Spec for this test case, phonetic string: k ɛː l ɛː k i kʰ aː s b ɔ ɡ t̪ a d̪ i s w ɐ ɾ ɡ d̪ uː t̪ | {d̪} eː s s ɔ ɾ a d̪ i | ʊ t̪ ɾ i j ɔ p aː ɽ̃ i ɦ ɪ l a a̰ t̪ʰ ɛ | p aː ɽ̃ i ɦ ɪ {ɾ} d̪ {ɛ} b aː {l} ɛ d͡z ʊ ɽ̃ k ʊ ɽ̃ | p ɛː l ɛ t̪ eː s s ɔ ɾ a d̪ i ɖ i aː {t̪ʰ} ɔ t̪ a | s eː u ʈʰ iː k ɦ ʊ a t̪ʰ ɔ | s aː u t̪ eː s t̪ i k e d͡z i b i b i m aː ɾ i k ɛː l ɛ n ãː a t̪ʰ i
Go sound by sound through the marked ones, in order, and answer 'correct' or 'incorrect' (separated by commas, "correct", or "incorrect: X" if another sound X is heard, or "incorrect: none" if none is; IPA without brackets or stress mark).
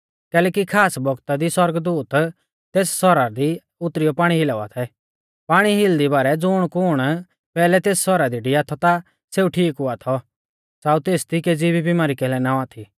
incorrect: t̪, incorrect: l, incorrect: i, incorrect: ɾ, correct